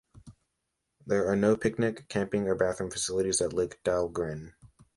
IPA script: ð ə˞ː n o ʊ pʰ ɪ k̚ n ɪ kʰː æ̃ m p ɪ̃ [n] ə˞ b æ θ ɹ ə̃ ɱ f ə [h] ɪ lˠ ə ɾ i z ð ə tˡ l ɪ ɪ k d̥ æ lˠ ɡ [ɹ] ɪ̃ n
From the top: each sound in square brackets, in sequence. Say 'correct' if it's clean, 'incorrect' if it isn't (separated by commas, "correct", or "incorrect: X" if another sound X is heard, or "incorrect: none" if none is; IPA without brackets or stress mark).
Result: incorrect: ŋ, incorrect: s, correct